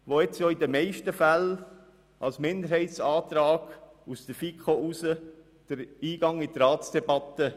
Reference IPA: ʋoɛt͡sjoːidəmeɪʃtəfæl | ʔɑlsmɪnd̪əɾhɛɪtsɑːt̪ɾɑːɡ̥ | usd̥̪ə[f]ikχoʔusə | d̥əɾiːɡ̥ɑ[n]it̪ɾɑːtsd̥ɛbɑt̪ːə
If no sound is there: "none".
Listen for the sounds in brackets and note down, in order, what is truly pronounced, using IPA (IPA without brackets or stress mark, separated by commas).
f, ŋ